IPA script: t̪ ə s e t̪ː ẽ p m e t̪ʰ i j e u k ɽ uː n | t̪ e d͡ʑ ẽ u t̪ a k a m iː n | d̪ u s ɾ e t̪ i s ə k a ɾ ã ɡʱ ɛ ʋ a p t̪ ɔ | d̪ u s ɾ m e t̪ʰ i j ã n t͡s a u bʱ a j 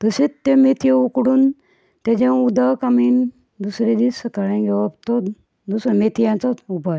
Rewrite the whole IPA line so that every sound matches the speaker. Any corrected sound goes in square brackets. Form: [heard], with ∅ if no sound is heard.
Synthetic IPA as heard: t̪ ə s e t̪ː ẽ [∅] m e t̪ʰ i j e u k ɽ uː n | t̪ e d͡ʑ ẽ u [d̪] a k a m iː n | d̪ u s ɾ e [d̪] i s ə k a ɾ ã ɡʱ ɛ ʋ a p t̪ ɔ | d̪ u s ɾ m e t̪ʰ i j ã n t͡s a u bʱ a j